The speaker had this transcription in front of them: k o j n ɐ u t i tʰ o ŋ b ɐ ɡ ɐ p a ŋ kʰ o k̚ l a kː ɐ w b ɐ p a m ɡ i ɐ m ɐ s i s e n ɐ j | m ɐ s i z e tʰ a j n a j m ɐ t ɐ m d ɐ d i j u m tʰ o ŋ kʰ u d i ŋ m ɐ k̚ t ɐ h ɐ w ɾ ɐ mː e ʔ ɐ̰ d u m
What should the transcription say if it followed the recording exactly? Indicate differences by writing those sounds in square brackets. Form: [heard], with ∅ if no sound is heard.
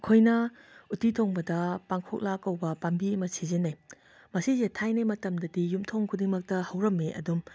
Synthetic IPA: [kʰ] o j n ɐ u t i tʰ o ŋ b ɐ [d] ɐ p a ŋ kʰ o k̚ l a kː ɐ w b ɐ p a m [b] i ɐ m ɐ s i [z] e n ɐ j | m ɐ s i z e tʰ a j n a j m ɐ t ɐ m d ɐ d i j u m tʰ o ŋ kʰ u d i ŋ m ɐ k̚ t ɐ h ɐ w ɾ ɐ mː e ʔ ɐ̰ d u m